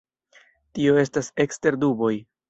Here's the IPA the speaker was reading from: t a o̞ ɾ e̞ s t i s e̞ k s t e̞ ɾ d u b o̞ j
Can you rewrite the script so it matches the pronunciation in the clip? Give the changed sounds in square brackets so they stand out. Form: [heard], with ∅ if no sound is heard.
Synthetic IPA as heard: t [i] o̞ [∅] e̞ s t [a] s e̞ k s t e̞ ɾ d u b o̞ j